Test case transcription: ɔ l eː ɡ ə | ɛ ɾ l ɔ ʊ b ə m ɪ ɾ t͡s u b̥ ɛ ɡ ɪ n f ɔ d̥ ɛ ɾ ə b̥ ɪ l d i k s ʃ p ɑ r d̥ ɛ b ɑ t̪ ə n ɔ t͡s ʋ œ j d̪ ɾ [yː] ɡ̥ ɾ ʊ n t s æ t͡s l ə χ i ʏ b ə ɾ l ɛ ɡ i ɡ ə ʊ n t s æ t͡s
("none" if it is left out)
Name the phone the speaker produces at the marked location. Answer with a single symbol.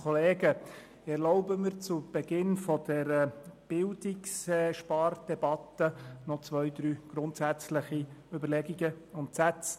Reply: yː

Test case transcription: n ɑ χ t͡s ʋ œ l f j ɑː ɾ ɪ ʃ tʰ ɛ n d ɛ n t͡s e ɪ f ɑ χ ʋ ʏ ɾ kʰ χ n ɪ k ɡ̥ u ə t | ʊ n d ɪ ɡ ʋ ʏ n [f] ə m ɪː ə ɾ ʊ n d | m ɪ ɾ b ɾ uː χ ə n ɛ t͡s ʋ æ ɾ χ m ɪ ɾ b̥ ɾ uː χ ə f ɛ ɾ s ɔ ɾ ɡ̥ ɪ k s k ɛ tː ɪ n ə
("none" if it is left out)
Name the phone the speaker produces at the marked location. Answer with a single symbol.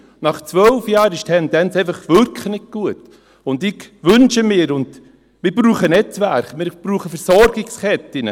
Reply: ʃ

